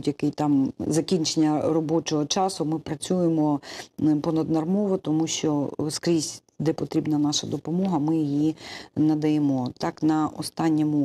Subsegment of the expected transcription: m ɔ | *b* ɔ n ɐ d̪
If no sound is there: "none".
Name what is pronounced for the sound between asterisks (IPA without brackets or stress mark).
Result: p